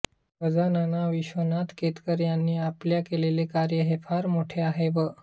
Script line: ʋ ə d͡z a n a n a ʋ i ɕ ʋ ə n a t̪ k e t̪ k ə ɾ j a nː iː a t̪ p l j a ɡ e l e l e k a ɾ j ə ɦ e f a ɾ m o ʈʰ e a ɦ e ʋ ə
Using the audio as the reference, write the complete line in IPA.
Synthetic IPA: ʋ ə d͡z a n a n a ʋ i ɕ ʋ ə n a t̪ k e t̪ k ə ɾ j a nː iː a p l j a k e l e l e k a ɾ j ə ɦ e f a ɾ m o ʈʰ e a ɦ e ʋ ə